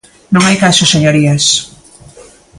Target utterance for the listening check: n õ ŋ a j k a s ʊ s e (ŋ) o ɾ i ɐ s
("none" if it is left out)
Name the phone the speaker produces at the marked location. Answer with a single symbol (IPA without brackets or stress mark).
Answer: ɲ